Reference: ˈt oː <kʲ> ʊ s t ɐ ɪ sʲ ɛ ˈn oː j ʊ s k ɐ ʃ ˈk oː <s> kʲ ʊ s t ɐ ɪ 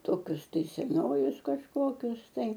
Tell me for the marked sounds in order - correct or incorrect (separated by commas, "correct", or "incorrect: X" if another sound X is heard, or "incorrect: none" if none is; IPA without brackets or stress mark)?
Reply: correct, incorrect: none